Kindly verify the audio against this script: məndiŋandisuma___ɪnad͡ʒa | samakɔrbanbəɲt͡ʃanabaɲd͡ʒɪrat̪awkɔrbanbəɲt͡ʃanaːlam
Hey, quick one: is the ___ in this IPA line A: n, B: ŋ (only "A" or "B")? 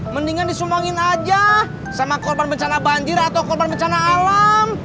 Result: B